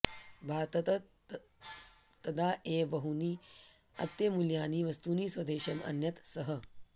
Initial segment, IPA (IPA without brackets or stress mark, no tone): bʱ